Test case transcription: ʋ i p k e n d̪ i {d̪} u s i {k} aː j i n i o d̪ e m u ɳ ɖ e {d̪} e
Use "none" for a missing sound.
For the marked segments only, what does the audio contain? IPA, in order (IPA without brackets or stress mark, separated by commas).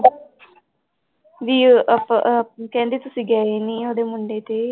t̪, ɡ, t̪